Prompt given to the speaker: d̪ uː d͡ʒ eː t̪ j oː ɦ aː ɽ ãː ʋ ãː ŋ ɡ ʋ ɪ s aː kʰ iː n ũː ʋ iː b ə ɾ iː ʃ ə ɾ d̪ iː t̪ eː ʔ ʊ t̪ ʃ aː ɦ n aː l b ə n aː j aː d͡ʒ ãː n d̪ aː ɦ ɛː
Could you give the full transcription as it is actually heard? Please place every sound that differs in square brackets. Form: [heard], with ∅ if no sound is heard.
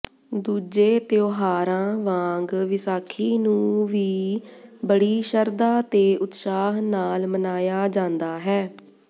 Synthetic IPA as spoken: d̪ uː d͡ʒ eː t̪ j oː ɦ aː [ɾ] ãː ʋ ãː ŋ ɡ ʋ ɪ s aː kʰ iː n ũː ʋ iː b ə [ɽ] iː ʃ ə ɾ d̪ [aː] t̪ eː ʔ ʊ t̪ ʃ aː ɦ n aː l [m] ə n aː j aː d͡ʒ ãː n d̪ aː ɦ ɛː